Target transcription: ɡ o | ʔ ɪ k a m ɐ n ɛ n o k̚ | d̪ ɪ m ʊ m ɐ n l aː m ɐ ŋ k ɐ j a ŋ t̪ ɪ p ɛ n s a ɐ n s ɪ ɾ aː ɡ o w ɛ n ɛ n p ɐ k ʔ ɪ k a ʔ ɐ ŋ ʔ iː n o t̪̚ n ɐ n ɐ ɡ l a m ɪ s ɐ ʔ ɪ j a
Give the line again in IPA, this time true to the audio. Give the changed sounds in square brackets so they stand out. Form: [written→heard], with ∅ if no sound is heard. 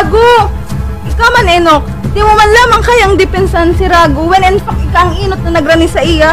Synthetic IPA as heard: ɡ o | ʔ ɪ k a m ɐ n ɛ n o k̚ | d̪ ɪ m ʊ m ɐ n l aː m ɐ ŋ k ɐ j a ŋ [t̪→d̪] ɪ p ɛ n s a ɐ n s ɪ ɾ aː ɡ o w ɛ n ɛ n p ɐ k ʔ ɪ k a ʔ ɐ ŋ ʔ iː n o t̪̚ n ɐ n ɐ ɡ [l→ɾ] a [m→n] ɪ s ɐ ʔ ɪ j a